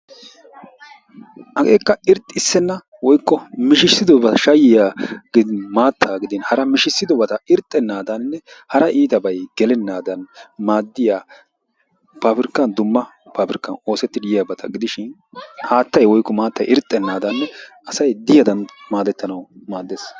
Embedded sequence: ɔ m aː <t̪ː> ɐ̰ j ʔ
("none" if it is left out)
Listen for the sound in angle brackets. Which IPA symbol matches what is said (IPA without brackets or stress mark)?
t̪ː